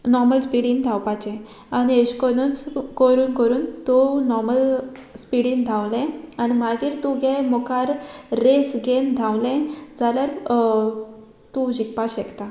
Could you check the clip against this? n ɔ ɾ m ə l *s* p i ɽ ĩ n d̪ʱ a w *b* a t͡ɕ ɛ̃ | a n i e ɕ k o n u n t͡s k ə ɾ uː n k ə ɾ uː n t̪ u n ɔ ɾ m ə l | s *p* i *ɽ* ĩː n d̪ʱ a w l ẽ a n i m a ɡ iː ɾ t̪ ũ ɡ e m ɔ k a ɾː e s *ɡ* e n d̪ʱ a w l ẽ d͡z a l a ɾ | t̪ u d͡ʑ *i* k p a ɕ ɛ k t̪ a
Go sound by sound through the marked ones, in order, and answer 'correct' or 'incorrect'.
correct, incorrect: p, correct, correct, correct, correct

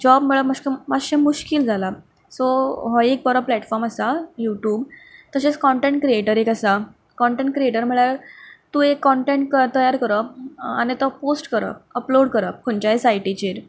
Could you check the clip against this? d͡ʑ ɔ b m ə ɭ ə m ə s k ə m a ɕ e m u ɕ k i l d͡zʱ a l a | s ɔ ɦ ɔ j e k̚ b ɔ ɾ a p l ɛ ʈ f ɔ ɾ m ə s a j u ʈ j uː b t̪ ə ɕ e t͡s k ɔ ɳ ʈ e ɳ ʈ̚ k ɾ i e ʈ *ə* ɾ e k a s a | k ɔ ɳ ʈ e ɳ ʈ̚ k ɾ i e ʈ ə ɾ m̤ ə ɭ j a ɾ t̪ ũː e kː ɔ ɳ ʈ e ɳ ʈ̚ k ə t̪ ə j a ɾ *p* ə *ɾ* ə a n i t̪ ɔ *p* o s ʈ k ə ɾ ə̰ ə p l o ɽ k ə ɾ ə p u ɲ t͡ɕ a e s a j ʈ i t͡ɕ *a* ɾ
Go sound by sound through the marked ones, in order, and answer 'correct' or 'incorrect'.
correct, incorrect: k, correct, correct, incorrect: e

